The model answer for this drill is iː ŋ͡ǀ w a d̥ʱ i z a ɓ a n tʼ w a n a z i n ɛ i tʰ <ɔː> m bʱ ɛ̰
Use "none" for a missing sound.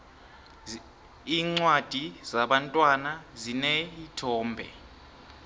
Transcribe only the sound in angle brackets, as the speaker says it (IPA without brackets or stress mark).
ɔː